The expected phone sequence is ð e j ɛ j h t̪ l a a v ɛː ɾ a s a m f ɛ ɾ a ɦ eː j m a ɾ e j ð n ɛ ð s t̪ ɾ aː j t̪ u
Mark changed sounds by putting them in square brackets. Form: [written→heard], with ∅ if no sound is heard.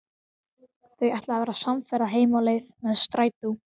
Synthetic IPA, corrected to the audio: [ð→θ] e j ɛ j h t̪ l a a v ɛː ɾ a s a m f ɛ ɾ a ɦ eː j m a [ɾ→l] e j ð [n→m] ɛ ð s t̪ ɾ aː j t̪ u